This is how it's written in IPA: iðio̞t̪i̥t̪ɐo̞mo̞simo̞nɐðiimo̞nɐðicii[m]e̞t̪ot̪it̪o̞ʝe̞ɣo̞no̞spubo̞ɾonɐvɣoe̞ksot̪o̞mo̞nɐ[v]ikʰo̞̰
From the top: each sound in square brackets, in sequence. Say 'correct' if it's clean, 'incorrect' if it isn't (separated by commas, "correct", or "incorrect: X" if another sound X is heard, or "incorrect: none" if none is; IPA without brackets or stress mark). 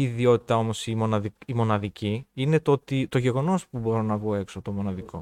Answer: incorrect: n, incorrect: ð